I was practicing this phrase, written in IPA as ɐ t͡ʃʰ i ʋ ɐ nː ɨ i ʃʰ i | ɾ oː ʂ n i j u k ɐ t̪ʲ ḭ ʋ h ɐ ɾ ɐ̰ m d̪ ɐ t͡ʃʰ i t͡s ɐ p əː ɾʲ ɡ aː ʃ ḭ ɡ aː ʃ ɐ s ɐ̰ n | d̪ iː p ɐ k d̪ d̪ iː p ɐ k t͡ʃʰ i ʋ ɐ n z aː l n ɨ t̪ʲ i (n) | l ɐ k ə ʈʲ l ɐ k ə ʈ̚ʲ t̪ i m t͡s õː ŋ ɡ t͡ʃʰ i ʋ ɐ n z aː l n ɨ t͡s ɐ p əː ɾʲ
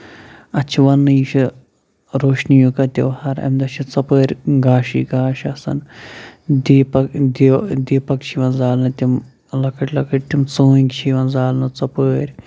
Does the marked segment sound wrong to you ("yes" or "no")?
yes